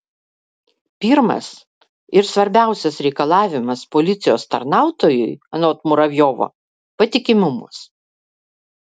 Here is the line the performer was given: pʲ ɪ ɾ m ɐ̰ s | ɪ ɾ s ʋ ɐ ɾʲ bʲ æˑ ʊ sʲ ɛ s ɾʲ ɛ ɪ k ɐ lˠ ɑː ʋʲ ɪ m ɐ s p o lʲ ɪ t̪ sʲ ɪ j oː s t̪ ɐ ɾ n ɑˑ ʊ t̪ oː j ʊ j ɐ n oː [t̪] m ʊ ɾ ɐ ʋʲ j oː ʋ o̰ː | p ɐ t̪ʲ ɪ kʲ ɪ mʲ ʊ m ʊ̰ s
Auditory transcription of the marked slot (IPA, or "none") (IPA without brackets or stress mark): t̪